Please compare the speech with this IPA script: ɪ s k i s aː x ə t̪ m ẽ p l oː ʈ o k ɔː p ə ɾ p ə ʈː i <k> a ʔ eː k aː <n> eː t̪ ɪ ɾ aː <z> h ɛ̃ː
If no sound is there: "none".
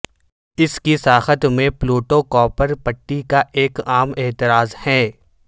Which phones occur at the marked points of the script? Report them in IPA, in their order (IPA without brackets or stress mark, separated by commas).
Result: k, m, z